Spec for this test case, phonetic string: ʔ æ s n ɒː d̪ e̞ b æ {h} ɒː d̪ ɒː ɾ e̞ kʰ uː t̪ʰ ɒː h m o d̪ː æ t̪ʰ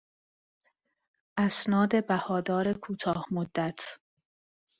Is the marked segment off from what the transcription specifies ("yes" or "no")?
no